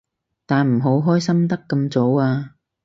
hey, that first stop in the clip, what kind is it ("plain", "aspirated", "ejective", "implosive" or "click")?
plain